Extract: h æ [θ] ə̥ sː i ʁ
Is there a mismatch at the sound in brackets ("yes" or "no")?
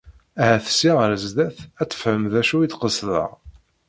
no